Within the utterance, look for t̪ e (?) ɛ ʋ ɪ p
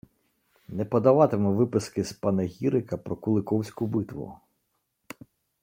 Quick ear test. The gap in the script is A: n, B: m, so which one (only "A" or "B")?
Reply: B